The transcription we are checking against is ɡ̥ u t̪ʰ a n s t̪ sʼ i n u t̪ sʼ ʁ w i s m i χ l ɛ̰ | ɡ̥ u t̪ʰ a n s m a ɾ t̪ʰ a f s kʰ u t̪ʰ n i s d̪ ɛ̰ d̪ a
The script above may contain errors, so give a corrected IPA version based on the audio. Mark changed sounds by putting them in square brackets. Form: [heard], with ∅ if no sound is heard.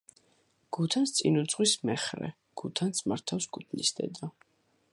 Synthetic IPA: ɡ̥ u t̪ʰ a n s t̪ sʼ i n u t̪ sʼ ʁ w i s m [ɛ] χ [ɾ] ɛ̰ | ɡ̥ u t̪ʰ a n s m a ɾ t̪ʰ a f s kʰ u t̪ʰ n i s d̪ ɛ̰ d̪ a